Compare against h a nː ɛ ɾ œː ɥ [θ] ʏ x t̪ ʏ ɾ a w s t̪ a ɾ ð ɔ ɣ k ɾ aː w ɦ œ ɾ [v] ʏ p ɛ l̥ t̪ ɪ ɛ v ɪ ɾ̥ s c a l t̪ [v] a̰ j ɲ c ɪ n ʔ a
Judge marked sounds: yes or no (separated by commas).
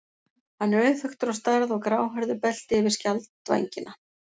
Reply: yes, no, yes